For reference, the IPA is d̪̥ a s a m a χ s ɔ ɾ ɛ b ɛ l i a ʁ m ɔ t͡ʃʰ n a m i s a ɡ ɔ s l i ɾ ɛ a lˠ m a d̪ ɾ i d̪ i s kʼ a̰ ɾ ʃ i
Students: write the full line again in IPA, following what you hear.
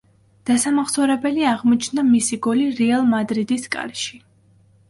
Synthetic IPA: d̪̥ a s a m a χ s ɔ ɾ ɛ b ɛ l i a ʁ m ɔ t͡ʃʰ n a m i s i ɡ ɔ l i ɾ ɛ a lˠ m a d̪ ɾ i d̪ i s kʼ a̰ ɾ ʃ i